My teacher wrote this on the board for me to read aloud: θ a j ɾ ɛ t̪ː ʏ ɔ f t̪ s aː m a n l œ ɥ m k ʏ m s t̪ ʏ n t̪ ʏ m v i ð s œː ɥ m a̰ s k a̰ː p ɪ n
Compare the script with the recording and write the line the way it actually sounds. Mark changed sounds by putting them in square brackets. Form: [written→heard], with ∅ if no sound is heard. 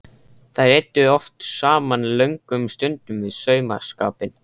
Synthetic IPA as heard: θ a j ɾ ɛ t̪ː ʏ ɔ f t̪ s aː m a n l œ ɥ [m→ŋ] k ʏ m s t̪ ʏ n t̪ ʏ m v [i→ɪ] ð s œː ɥ m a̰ s k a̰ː p ɪ n

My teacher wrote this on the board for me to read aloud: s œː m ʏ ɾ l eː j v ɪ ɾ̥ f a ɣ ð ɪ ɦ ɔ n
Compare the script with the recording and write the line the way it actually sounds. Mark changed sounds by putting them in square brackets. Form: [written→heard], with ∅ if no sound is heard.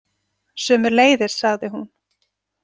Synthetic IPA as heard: s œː m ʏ ɾ l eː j [v→ð] ɪ ɾ̥ [f→s] a ɣ ð ɪ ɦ [ɔ→u] n

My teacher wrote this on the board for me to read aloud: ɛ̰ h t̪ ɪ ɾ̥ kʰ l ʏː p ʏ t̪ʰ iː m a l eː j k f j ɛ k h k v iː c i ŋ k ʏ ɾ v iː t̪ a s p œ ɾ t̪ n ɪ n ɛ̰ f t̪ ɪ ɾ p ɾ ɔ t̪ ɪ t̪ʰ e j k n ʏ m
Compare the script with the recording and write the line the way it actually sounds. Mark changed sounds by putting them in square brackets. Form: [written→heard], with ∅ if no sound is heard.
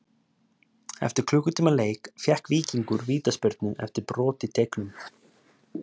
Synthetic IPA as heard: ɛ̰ [h→f] t̪ ɪ ɾ̥ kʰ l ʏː [p→k] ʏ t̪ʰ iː m a l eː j k f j ɛ [k→∅] h k v iː c i ŋ k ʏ ɾ v iː t̪ a s p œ ɾ t̪ n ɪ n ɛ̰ f t̪ ɪ ɾ p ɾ [ɔ→ɔː] t̪ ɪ t̪ʰ e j k n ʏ m

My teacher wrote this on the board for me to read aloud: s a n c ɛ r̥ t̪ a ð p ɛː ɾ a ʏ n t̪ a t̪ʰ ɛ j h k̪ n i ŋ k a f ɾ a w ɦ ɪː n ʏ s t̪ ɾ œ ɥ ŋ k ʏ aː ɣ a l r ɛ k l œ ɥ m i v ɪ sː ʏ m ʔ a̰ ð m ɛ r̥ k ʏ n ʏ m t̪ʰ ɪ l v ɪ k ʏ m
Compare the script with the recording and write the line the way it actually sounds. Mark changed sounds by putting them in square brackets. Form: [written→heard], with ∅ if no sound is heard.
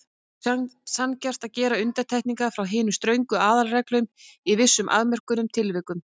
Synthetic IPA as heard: s a n c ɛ r̥ t̪ a ð [p→c] ɛː ɾ a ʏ n t̪ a t̪ʰ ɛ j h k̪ n i ŋ k a f ɾ a w ɦ ɪː n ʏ s t̪ ɾ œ ɥ ŋ k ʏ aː [ɣ→ð] a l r ɛ k l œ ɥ m i v ɪ sː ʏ m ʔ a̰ ð m ɛ r̥ k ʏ n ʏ m t̪ʰ ɪ l v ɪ k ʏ m

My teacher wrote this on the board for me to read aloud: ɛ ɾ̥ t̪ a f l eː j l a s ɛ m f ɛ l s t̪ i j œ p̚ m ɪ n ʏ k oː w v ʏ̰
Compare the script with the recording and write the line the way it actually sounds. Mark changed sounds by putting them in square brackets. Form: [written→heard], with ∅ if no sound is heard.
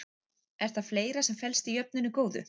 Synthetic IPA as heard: ɛ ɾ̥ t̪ a f l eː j [l→ɾ] a s ɛ m f ɛ l s t̪ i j œ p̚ [m→n] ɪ n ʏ k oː w [v→ð] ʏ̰

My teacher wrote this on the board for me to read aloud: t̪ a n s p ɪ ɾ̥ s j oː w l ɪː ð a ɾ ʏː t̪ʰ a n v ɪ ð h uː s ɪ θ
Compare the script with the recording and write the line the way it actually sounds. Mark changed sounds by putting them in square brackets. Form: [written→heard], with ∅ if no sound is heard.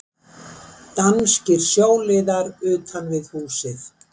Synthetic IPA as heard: t̪ a n s [p→c] ɪ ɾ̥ s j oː w l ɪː ð a ɾ ʏː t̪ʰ a n v ɪ ð h uː s ɪ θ

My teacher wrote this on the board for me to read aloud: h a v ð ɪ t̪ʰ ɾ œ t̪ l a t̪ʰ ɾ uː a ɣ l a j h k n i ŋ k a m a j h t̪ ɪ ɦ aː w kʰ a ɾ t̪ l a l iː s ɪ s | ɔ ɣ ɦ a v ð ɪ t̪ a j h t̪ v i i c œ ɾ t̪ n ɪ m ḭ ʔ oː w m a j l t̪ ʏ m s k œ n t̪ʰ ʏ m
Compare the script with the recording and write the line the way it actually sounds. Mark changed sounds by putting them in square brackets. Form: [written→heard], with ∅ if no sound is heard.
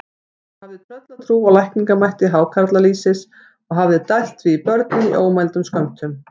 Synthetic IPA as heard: h a v ð ɪ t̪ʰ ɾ œ t̪ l a t̪ʰ ɾ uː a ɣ l a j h k n i ŋ k a m a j h t̪ ɪ ɦ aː w kʰ a ɾ t̪ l a l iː s ɪ s | ɔ ɣ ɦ a v ð ɪ t̪ a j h t̪ v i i [c→p] œ ɾ t̪ n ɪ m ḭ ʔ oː w m a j l t̪ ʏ m s k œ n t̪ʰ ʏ m

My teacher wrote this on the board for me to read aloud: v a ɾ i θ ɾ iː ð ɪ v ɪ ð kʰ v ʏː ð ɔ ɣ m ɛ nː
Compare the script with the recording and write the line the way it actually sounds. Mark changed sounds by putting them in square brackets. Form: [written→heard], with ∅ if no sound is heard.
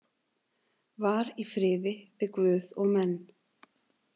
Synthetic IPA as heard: v a ɾ i [θ→f] ɾ [iː→ɪː] ð ɪ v ɪ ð [kʰ→k] v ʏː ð ɔ ɣ m ɛ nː

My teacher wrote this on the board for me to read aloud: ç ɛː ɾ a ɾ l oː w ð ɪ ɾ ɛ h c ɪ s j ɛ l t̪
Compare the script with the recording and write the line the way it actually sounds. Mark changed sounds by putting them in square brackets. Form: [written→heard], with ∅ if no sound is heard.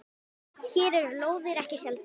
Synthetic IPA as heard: ç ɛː ɾ [a→ɛ] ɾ l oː w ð ɪ ɾ ɛ h c ɪ s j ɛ l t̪

